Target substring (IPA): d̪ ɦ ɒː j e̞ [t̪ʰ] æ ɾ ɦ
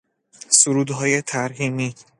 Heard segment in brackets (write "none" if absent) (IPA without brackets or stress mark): t̪ʰ